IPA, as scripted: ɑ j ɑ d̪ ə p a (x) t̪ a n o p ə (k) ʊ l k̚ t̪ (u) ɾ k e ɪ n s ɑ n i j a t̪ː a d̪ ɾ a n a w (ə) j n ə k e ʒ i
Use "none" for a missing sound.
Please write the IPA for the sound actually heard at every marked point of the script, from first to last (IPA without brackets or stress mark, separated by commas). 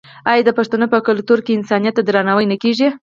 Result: ʂ, k, u, ə